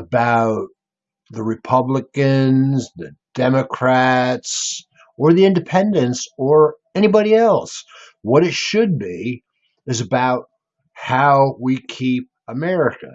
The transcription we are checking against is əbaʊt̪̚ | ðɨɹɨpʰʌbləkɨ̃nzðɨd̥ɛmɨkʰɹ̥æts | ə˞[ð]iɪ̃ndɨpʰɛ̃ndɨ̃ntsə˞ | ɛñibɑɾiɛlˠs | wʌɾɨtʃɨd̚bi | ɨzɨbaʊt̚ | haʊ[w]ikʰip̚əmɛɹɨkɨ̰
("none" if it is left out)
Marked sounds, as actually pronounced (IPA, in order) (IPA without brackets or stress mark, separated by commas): ð, w